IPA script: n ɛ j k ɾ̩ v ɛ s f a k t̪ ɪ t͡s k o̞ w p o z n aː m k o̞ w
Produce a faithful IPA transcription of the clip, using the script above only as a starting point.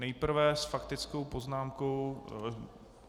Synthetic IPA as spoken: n ɛ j p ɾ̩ v ɛ s f a k t̪ ɪ t͡s k o̞ w p o z n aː m k o̞ w